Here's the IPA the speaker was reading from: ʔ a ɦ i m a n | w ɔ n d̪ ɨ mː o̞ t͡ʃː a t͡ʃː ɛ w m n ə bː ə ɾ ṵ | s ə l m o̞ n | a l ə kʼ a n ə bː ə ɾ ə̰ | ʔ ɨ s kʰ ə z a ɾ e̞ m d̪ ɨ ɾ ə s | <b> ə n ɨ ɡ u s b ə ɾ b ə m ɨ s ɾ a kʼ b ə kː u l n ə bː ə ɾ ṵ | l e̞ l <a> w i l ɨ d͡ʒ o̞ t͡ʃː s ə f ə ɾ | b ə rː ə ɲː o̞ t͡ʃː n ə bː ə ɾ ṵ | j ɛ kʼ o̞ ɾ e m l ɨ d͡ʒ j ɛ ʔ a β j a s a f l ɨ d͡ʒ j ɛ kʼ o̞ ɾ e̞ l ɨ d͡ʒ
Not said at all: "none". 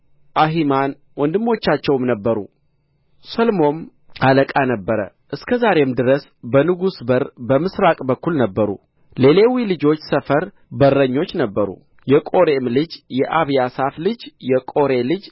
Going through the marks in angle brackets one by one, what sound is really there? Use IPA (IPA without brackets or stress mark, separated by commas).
b, e